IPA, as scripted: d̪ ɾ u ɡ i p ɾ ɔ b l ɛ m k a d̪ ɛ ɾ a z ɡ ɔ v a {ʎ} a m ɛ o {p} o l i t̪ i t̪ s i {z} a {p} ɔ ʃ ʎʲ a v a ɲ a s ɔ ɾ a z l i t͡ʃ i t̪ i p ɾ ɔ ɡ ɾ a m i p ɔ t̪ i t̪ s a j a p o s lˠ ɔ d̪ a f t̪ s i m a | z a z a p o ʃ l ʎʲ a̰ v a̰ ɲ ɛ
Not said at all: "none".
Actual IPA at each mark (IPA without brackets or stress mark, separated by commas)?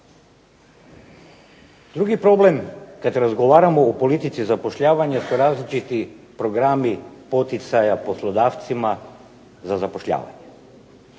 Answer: ɾ, p, z, p